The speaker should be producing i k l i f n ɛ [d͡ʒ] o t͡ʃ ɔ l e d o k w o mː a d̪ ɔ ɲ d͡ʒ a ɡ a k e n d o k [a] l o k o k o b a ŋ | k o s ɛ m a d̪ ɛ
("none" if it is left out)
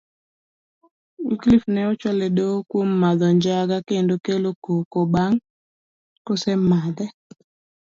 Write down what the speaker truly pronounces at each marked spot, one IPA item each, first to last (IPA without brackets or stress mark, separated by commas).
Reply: none, e